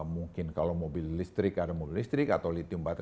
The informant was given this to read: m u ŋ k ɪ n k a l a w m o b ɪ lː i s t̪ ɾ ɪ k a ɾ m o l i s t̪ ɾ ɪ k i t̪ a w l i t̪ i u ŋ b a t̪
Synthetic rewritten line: m u ŋ k ɪ n k a l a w m o b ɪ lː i s t̪ ɾ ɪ k a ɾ m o l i s t̪ ɾ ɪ k a t̪ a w l i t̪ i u m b a t̪